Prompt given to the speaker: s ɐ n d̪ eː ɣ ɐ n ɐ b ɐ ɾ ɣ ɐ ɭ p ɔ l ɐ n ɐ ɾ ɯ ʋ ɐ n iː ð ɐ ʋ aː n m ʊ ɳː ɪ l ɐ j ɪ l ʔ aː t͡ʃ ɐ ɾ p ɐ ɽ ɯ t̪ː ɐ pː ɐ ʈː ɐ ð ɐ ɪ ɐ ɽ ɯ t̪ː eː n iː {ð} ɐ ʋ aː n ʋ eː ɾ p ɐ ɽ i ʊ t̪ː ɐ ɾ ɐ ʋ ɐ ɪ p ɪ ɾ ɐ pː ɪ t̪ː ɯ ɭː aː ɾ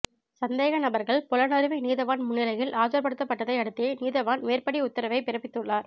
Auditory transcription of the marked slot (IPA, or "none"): ð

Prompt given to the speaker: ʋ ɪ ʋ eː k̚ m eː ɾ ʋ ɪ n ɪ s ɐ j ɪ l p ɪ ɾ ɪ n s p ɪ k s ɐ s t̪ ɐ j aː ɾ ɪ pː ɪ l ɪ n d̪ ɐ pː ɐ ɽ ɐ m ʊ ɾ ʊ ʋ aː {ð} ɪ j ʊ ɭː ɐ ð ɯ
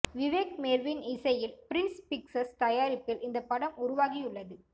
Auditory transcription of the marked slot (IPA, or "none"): ɣ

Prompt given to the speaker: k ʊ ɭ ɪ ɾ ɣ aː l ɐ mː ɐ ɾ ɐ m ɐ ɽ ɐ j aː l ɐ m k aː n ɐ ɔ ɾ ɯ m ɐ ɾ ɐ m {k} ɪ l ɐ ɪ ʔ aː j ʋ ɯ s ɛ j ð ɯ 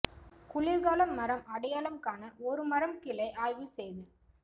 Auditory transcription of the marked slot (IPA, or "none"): k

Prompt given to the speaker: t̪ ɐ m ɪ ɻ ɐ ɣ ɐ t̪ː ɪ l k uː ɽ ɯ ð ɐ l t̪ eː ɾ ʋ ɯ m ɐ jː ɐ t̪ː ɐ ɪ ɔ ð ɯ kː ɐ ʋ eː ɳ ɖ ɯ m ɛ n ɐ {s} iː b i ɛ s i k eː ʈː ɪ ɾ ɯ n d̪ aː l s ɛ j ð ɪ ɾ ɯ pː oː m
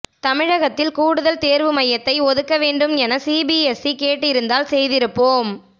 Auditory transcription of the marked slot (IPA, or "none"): s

